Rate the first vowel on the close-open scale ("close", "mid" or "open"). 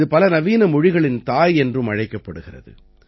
close